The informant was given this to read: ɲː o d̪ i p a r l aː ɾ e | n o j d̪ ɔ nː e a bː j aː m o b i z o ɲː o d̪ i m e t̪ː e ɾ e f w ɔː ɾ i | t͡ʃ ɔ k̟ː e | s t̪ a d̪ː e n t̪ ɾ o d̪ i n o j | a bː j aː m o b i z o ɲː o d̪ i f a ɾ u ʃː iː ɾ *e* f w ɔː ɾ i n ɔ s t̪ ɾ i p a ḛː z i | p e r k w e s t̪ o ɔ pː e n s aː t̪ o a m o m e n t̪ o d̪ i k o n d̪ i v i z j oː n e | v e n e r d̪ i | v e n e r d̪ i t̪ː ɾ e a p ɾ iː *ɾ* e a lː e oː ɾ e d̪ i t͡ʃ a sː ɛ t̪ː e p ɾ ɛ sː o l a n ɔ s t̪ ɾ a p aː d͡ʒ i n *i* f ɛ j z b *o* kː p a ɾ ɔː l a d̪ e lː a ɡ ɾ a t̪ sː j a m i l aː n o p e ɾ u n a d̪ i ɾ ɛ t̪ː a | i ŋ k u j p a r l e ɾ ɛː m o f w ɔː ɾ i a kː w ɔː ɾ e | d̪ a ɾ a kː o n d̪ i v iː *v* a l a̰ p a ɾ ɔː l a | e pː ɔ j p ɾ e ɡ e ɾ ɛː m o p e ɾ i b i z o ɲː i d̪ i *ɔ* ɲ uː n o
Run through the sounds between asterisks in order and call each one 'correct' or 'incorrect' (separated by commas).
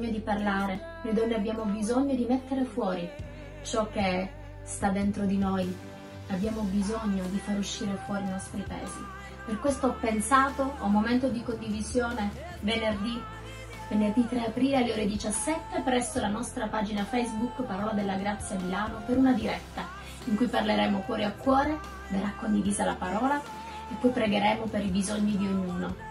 correct, incorrect, incorrect, incorrect, incorrect, incorrect